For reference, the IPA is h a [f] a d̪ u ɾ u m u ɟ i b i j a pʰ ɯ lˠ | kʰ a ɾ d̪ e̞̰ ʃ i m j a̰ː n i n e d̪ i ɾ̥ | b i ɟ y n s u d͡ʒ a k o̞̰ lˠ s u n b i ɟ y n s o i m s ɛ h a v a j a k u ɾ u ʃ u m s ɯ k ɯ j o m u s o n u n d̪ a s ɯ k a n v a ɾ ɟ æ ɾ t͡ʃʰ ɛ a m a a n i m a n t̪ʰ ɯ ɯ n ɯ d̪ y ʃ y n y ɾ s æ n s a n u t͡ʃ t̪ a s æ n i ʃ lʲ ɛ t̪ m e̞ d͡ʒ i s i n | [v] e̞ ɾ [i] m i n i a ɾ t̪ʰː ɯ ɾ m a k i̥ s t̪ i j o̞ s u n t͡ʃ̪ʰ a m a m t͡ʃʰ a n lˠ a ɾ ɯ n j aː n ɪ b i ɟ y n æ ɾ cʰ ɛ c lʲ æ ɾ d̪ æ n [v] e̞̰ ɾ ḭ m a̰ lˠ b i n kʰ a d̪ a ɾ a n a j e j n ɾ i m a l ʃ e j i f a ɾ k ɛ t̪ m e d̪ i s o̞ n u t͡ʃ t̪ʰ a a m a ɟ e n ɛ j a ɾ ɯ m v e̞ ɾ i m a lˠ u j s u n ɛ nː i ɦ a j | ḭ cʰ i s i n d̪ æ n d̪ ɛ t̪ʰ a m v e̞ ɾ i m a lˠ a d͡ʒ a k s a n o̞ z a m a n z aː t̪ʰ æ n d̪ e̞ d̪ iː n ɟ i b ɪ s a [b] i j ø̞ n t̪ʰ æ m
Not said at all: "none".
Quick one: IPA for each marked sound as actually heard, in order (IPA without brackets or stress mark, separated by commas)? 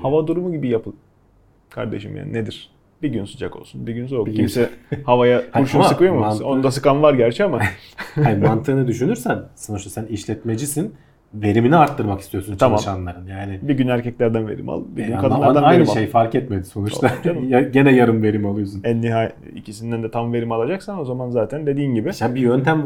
v, v, i, v, b